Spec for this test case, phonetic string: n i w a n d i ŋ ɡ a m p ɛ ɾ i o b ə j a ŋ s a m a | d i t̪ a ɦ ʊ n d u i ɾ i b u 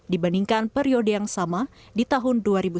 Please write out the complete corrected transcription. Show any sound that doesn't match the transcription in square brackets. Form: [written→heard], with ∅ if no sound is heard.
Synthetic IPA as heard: [n→d] i [w→b] a n d i ŋ [ɡ→k] a [m→n] p ɛ ɾ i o [b→d] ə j a ŋ s a m a | d i t̪ a ɦ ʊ n d u [i→a] ɾ i b u